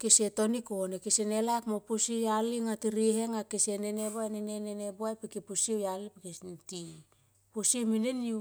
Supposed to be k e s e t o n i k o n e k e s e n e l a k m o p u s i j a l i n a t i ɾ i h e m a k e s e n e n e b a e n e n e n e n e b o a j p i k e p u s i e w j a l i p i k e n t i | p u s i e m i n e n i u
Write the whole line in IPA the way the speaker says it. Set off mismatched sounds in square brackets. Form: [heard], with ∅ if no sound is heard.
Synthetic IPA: k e s e t o n i k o n e k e s e n e l a k m o p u s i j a l i [ŋ] a t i ɾ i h e [ŋ] a k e s e n e n e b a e n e n e n e n e b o a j p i k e p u s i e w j a l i p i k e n t i | p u s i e m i n e n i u